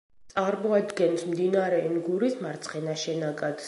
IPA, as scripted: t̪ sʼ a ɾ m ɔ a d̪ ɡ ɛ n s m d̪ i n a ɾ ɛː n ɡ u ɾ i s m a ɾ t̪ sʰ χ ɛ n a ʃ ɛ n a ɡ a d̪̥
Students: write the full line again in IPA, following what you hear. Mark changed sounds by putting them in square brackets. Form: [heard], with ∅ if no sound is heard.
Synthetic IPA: t̪ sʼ a ɾ m ɔ a d̪ ɡ ɛ n s m d̪ i n a ɾ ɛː n ɡ u ɾ i s m a ɾ t̪ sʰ χ ɛ n a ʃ ɛ n a ɡ a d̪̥